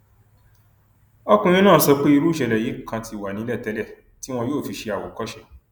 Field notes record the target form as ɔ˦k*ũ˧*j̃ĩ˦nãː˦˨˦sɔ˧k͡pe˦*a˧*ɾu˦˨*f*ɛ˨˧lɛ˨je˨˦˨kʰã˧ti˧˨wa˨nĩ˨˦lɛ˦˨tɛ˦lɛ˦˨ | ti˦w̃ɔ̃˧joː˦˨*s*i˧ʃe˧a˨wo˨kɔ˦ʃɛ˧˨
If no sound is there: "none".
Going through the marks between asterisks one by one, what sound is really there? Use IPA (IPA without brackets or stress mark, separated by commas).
ũ˧, i˧, ʃ, f